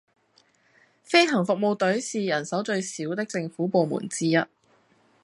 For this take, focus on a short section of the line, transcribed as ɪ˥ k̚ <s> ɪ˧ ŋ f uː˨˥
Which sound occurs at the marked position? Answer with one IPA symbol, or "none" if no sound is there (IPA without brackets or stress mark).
t͡s